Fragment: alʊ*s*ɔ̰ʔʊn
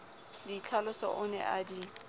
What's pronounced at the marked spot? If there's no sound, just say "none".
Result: s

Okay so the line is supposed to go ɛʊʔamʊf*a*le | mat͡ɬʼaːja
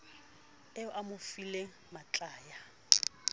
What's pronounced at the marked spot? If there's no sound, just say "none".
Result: i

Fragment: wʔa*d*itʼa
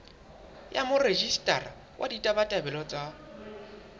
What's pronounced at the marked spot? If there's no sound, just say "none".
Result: d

